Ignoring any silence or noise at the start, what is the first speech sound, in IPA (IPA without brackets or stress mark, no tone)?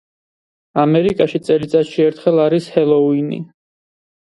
a